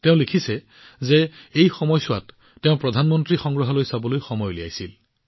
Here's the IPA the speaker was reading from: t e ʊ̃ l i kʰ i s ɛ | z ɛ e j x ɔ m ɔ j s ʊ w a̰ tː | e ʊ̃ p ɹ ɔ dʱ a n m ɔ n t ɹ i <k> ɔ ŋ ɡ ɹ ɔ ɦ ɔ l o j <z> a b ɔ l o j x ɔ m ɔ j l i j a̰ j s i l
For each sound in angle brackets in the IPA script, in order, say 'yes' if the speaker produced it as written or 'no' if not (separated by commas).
no, no